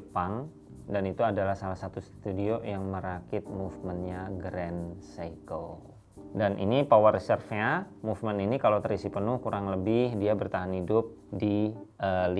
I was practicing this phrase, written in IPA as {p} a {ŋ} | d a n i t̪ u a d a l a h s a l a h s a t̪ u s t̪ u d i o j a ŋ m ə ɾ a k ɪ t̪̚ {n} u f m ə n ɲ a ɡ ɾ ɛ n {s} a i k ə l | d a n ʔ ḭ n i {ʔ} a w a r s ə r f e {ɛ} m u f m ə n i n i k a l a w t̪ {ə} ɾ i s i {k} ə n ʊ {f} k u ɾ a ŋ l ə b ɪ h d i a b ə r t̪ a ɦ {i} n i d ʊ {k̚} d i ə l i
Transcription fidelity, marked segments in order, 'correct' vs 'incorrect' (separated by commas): correct, correct, incorrect, correct, incorrect, incorrect, correct, incorrect, incorrect, incorrect, incorrect